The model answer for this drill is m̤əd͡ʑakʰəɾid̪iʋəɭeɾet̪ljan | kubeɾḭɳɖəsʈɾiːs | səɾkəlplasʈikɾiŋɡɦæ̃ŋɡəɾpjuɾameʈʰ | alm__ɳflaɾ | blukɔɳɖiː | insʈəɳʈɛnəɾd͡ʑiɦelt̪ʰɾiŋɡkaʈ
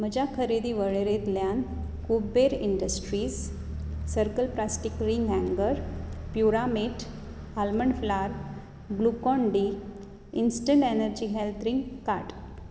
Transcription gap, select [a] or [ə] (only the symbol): ə